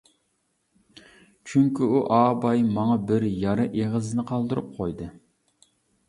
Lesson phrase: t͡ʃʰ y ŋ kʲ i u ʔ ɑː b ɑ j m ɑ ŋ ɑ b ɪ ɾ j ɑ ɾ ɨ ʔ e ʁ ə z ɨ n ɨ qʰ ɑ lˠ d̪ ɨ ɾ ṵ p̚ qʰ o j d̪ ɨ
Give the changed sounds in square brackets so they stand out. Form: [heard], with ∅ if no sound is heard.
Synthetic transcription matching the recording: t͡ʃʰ y ŋ kʲ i u ʔ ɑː b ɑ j m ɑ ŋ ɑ b ɪ ɾ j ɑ ɾ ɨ ʔ e ʁ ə z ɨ n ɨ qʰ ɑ lˠ d̪ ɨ ɾ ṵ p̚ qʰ o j d̪ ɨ